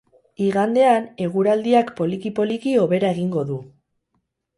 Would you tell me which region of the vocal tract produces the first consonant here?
velum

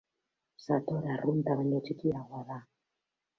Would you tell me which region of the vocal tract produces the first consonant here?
tongue tip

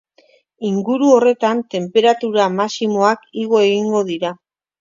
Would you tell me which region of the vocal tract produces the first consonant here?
velum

